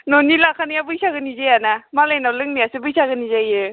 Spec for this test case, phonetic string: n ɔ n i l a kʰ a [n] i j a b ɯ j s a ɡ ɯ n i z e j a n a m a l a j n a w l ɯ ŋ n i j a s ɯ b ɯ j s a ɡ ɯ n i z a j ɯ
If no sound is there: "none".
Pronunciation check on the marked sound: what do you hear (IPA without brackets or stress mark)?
n